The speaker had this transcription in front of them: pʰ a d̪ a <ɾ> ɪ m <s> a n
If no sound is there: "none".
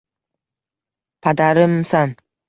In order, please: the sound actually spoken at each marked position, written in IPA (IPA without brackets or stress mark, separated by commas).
ɾ, s